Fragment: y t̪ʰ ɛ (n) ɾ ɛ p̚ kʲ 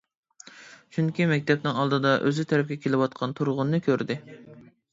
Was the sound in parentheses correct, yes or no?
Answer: no